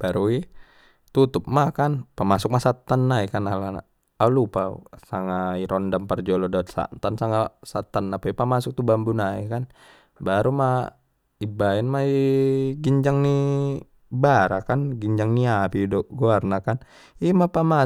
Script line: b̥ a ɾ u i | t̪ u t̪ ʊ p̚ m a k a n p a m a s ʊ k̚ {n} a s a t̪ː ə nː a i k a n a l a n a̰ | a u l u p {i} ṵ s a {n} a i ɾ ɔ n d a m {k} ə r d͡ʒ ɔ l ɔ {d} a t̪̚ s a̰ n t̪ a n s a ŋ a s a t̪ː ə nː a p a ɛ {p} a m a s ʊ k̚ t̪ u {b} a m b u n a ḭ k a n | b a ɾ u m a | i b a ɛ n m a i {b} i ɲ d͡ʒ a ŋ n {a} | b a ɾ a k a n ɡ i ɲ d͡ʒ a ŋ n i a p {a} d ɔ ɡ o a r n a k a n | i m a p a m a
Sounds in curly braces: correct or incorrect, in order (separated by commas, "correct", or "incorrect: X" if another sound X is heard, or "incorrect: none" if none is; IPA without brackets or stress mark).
incorrect: m, incorrect: a, incorrect: ŋ, incorrect: p, correct, correct, correct, incorrect: ɡ, incorrect: i, incorrect: i